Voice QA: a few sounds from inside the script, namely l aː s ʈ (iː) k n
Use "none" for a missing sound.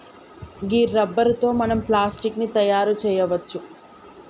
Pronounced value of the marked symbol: i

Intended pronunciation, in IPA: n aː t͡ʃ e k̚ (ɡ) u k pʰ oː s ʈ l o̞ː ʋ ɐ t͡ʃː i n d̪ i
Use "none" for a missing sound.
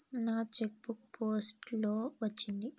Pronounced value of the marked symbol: b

